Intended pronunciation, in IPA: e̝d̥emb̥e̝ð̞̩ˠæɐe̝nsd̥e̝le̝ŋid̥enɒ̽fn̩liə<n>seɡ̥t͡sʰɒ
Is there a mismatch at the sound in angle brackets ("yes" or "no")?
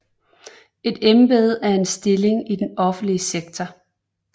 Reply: yes